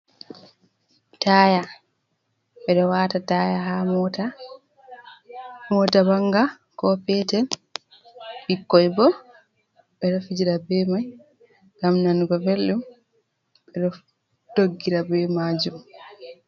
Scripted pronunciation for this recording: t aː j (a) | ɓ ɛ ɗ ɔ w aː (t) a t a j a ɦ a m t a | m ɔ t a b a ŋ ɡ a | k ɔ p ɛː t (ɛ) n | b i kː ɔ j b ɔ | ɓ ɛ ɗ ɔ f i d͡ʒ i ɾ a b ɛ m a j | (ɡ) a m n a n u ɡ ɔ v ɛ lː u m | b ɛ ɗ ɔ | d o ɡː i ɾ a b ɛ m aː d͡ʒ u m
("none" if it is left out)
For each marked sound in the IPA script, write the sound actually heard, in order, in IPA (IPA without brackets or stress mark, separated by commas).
a, t, ɛ, ɡ